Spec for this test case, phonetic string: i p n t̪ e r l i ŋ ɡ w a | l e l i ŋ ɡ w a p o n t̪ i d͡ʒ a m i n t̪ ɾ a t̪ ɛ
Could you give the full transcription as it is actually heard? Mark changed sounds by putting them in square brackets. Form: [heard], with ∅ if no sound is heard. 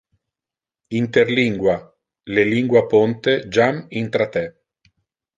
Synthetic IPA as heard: i [∅] n t̪ e r l i ŋ ɡ w a | l e l i ŋ ɡ w a p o n t̪ [e] d͡ʒ a m i n t̪ ɾ a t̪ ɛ